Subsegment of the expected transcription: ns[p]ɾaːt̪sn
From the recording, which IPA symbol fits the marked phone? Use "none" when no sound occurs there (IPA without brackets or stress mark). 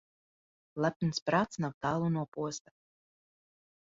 p